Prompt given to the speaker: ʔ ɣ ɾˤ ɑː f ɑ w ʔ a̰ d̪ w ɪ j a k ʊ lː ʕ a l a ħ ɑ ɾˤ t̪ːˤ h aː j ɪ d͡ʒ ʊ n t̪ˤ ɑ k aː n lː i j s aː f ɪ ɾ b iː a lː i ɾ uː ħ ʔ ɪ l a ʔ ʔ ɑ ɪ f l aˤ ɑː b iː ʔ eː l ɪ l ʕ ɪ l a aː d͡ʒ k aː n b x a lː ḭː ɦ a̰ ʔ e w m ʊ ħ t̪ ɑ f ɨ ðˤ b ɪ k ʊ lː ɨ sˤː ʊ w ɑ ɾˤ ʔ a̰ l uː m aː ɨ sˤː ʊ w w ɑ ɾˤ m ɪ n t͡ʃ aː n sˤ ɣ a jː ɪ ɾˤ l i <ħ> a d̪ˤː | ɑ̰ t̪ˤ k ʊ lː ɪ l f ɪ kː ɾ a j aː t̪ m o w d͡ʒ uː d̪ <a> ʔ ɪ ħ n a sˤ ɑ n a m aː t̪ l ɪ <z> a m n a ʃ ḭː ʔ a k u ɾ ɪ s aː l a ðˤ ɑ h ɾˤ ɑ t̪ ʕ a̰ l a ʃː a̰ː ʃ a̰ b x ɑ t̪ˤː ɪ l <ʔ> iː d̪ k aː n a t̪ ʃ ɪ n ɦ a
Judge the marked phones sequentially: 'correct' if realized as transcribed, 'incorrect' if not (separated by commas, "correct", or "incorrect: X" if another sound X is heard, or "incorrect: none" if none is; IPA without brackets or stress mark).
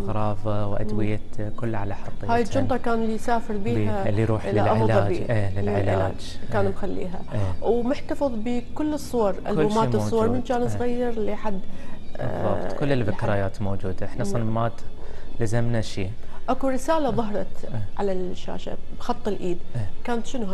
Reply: correct, correct, correct, correct